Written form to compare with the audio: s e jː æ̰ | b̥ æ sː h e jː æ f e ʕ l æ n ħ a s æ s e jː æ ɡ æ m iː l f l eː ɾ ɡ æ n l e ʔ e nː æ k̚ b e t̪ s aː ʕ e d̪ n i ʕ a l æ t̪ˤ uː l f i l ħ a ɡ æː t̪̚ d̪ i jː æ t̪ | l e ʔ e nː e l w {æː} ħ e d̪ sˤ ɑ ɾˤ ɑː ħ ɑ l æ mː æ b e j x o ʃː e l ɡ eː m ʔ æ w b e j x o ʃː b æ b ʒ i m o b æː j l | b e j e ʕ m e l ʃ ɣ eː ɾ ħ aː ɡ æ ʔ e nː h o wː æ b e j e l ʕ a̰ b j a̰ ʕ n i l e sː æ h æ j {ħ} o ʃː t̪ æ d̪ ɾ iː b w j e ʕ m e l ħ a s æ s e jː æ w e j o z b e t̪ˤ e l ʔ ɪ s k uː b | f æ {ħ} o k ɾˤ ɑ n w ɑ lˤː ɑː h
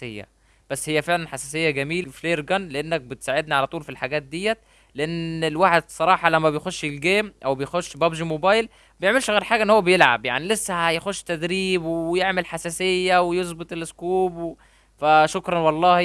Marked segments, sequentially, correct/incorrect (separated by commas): incorrect, incorrect, incorrect